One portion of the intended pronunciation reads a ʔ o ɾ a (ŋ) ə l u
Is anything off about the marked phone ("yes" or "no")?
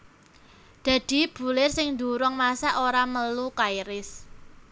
yes